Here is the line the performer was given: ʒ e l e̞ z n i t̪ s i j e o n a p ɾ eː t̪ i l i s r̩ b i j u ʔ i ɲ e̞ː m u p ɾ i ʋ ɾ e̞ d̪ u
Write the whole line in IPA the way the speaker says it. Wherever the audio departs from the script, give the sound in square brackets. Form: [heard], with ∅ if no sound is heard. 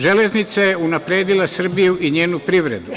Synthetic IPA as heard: ʒ e l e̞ z n i t̪ s [a] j e [u] n a p ɾ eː [d̪] i l [a] s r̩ b i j u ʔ i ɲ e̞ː [n] u p ɾ i ʋ ɾ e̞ d̪ u